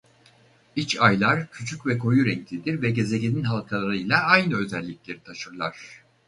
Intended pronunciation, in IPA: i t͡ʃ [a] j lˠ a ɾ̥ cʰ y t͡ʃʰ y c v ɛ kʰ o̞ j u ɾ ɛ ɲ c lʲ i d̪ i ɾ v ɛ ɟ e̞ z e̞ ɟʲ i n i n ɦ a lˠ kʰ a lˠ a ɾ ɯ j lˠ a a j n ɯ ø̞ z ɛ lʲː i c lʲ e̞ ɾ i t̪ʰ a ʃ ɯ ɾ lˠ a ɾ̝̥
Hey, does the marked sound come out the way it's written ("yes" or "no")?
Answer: yes